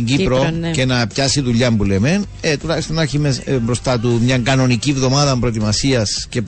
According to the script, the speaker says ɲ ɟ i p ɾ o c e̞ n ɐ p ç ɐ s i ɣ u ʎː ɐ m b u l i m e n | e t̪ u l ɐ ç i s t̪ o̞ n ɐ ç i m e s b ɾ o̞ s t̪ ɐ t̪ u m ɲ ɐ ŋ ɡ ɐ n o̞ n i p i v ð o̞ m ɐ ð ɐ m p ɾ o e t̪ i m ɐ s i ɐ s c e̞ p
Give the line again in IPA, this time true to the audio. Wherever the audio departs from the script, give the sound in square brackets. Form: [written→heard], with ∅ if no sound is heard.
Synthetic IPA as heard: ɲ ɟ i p ɾ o c e̞ n ɐ p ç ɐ s i [ɣ→ð] u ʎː ɐ m b u l [i→e] m e n | e t̪ u l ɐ ç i s t̪ o̞ n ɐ ç i m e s b ɾ o̞ s t̪ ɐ t̪ u m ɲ ɐ ŋ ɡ ɐ n o̞ n i [p→c] i v ð o̞ m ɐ ð ɐ m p ɾ o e t̪ i m ɐ s i ɐ s c e̞ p